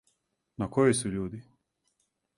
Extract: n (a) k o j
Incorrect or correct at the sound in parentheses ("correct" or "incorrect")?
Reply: correct